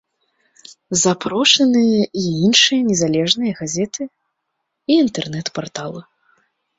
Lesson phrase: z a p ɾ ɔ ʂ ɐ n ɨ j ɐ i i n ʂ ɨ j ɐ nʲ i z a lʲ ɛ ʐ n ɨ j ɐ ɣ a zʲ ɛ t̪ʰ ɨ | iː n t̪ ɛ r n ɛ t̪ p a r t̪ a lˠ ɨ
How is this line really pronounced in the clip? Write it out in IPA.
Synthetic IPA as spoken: z a p ɾ ɔ ʂ ɐ n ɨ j ɐ i i n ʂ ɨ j ɐ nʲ ɛ z a lʲ ɛ ʐ n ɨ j ɐ ɣ a zʲ ɛ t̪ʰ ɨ | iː n t̪ ɛ r n ɛ t̪ p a r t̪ a lˠ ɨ